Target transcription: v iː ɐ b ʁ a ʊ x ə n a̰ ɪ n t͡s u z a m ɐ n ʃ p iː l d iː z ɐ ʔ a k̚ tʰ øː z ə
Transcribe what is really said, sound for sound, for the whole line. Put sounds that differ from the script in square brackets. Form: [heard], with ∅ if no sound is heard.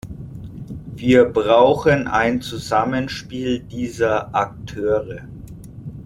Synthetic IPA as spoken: v iː ɐ b ʁ a ʊ x ə n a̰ ɪ n t͡s u z a m [ə] n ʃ p iː l d iː z ɐ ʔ a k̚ tʰ øː [ʁ] ə